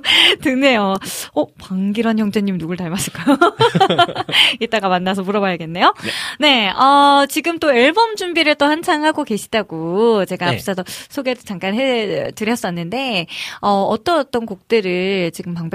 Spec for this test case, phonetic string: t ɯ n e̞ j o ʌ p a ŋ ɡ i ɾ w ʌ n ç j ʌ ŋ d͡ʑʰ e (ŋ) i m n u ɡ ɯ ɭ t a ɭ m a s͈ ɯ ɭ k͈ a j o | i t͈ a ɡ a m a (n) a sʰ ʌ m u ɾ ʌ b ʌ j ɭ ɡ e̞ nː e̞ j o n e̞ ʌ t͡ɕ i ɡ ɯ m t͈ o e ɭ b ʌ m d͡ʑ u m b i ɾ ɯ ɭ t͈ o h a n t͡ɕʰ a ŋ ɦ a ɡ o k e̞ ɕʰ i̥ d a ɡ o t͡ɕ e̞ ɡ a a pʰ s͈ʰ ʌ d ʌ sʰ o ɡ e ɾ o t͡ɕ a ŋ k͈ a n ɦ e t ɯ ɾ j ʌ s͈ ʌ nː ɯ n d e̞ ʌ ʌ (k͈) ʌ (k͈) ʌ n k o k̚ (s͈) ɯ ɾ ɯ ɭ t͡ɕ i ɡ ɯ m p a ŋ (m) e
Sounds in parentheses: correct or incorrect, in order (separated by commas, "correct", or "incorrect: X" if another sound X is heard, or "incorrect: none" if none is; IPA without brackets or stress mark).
incorrect: ɲ, incorrect: nː, incorrect: t͈, incorrect: t͈, incorrect: t͈, incorrect: b